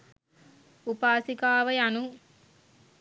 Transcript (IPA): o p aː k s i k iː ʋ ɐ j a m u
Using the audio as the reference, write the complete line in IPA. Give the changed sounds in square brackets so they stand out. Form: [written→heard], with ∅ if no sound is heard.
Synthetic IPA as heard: [o→u] p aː [k→∅] s i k [iː→aː] ʋ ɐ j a [m→n] u